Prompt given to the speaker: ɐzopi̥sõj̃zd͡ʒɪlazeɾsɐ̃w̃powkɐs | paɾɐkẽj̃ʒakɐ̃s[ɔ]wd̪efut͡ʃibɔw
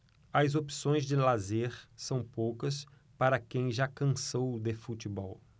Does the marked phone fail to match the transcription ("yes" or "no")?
yes